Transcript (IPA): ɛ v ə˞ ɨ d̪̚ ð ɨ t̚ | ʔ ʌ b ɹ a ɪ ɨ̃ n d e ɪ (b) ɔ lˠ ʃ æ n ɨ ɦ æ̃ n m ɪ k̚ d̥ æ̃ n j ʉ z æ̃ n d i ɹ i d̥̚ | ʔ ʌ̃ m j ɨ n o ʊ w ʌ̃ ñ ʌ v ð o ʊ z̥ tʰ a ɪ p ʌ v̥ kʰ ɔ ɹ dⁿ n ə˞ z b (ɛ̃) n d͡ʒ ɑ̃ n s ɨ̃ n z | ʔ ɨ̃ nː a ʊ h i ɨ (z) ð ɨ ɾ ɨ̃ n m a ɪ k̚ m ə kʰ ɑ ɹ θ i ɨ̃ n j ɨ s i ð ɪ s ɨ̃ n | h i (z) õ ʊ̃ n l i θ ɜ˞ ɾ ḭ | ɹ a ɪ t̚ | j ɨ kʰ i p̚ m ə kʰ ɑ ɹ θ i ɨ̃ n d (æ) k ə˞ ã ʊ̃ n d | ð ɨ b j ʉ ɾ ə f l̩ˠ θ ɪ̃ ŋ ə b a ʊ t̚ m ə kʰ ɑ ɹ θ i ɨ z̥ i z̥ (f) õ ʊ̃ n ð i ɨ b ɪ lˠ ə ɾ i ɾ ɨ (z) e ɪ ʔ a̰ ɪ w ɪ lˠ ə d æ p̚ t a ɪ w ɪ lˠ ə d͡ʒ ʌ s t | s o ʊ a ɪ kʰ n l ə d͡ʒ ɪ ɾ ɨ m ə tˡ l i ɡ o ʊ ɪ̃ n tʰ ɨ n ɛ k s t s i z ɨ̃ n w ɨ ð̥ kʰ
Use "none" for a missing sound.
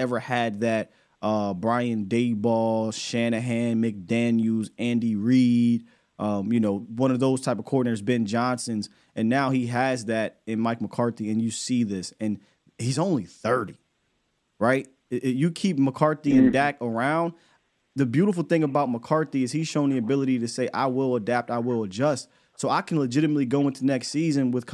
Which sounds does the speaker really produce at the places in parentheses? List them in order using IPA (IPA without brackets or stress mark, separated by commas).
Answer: b, ɛ̃, z, z, æ, ʃ, s